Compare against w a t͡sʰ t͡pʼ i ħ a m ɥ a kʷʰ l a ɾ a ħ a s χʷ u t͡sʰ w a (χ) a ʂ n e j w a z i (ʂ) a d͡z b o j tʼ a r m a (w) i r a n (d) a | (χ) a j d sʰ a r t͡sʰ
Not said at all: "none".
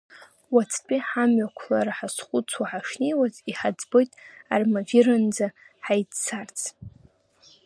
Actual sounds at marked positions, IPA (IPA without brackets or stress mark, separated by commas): ħ, ħ, v, d͡z, ħ